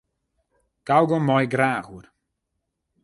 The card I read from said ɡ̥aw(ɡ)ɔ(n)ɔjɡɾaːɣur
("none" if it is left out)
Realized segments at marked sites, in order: ɡ, m

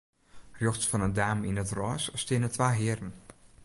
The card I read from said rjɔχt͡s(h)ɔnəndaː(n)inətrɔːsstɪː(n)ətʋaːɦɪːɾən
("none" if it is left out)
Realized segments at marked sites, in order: f, m, n

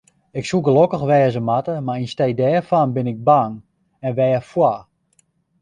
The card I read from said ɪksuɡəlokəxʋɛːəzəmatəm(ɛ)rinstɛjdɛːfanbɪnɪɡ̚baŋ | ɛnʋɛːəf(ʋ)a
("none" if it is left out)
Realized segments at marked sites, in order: a, w

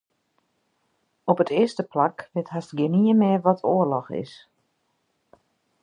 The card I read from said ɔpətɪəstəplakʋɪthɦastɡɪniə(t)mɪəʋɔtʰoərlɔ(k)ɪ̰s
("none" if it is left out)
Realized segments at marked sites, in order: none, x

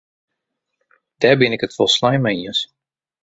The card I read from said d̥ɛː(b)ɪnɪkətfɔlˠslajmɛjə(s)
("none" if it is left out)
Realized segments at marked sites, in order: b, s

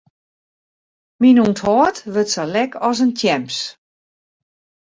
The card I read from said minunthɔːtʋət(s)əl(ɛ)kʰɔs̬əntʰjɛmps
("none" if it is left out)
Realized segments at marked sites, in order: s, ɛ

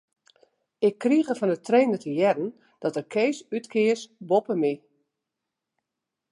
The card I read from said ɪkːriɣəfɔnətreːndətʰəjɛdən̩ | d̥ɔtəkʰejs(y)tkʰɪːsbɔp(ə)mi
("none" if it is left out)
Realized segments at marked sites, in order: y, ə

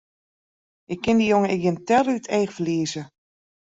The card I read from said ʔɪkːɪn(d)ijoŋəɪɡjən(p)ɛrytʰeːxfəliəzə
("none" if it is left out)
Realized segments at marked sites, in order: d, t

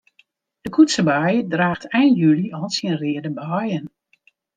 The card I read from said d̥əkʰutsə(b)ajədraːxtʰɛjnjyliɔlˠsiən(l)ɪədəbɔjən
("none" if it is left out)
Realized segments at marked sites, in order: b, r

